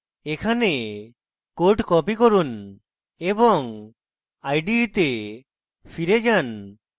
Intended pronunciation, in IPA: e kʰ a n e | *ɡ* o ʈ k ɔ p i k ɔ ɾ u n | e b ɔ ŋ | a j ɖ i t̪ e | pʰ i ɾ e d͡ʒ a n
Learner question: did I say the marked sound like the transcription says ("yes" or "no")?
no